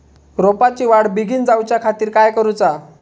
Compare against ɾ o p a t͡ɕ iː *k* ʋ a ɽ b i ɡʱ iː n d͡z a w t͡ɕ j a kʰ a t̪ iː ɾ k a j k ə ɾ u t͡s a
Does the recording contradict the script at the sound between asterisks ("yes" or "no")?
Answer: yes